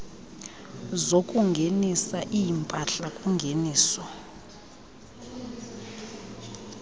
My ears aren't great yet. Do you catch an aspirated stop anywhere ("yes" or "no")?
no